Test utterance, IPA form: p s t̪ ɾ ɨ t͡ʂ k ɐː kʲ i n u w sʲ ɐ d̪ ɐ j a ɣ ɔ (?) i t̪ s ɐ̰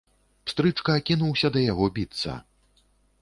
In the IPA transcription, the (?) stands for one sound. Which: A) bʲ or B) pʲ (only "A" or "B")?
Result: A